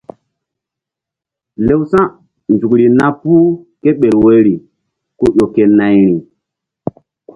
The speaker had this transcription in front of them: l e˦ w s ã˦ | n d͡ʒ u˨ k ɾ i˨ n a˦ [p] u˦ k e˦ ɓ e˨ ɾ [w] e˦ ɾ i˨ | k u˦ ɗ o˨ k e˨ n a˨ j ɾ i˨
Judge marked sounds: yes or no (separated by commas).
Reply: yes, yes